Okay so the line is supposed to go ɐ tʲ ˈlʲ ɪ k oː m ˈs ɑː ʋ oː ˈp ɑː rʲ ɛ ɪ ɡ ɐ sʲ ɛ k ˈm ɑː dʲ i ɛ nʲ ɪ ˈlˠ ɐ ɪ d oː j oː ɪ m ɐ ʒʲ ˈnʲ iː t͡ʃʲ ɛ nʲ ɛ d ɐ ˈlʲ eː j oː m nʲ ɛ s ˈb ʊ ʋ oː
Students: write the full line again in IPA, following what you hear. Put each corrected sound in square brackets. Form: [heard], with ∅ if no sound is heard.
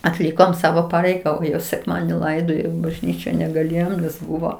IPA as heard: ɐ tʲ ˈlʲ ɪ k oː m ˈs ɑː ʋ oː ˈp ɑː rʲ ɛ ɪ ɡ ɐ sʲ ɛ k ˈm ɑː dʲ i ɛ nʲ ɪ ˈlˠ ɐ ɪ d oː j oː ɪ [b] ɐ ʒʲ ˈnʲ iː t͡ʃʲ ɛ nʲ ɛ [ɡ] ɐ ˈlʲ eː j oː m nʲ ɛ s ˈb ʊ ʋ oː